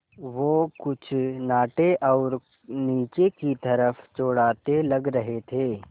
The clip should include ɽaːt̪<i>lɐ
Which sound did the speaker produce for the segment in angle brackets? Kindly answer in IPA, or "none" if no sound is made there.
e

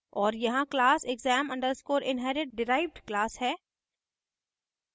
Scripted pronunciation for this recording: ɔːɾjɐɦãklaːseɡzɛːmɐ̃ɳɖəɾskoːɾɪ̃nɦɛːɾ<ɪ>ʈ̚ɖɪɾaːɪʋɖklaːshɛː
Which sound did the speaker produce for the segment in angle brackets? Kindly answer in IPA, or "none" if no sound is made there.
ɪ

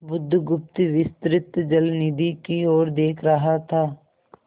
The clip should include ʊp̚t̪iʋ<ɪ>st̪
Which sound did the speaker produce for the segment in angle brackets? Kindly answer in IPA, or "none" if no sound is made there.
ɪ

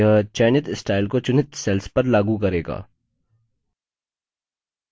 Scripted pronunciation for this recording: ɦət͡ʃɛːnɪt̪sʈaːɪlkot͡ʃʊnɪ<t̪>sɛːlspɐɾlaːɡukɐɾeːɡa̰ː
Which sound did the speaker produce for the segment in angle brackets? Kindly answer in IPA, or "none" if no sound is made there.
t̪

